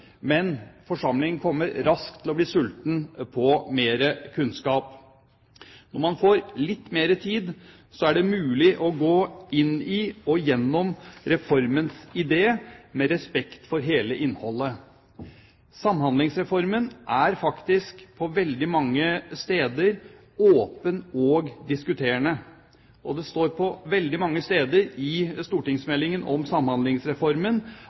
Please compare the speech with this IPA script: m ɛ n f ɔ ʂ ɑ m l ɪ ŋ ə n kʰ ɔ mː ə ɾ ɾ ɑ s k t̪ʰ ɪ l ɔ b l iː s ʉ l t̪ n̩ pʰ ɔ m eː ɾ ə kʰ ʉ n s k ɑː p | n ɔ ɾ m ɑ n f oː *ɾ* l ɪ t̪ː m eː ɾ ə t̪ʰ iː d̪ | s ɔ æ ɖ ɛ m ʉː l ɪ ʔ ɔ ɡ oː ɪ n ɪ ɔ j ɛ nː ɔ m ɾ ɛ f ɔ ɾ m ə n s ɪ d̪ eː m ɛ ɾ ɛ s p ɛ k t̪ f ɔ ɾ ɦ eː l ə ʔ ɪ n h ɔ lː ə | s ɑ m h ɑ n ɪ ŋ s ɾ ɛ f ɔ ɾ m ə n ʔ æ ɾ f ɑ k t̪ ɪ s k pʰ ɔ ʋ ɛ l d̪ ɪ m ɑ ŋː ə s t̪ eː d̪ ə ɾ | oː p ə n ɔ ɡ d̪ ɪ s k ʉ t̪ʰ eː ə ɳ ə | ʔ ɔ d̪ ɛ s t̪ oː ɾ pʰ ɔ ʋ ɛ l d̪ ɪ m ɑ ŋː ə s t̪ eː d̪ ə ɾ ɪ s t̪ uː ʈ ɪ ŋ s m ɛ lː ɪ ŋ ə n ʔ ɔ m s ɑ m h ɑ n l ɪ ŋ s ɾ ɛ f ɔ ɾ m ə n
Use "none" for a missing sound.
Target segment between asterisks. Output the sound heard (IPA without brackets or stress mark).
ɾ